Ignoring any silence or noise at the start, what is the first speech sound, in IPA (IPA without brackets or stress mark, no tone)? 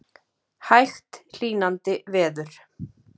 h